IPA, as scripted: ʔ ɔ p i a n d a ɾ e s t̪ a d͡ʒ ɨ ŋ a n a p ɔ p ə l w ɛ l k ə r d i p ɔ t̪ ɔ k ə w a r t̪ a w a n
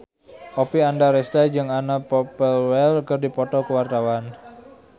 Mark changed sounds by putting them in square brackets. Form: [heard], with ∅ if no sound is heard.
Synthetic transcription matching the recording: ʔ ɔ p i a n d a ɾ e s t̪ a d͡ʒ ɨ ŋ a n a p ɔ p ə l w ɛ l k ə r d i p ɔ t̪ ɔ k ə w a r t̪ a w a n